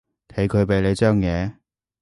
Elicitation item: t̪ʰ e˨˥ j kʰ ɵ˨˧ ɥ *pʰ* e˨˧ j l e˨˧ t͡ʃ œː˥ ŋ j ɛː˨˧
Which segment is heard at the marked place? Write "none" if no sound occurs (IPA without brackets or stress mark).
p